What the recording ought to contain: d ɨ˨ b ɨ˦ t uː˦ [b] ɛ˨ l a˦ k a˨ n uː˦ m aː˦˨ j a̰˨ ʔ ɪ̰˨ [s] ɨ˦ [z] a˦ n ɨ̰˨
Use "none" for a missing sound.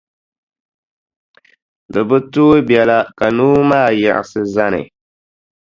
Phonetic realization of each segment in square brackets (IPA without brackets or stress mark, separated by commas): b, s, z